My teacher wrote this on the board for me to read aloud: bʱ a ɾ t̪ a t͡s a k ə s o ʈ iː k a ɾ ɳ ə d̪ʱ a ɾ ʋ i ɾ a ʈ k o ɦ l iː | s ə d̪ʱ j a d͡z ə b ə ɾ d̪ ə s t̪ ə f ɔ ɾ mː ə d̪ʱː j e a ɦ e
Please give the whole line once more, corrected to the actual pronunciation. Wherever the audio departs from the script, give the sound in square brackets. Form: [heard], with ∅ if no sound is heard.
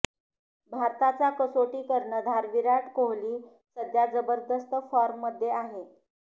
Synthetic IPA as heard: bʱ a ɾ t̪ a t͡s a k ə s o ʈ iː k [ə] ɾ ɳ ə d̪ʱ a ɾ ʋ i ɾ a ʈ k o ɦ l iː | s ə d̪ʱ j a d͡z ə b ə ɾ d̪ ə s t̪ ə f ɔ ɾ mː ə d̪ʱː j e a ɦ e